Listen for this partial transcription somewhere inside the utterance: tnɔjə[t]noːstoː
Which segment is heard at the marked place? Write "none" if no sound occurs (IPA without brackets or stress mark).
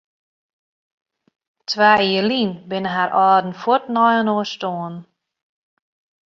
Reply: none